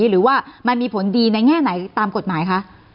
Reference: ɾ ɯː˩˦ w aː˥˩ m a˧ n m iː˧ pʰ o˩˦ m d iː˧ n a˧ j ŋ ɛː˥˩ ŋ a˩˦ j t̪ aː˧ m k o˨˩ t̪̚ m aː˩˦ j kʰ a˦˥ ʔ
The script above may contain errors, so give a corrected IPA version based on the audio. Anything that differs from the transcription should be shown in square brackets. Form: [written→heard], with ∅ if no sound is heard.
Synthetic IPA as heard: ɾ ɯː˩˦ w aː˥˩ m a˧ n m iː˧ pʰ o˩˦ [m→n] d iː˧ n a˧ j ŋ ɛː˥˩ [ŋ→n] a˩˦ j t̪ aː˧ m k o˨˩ t̪̚ m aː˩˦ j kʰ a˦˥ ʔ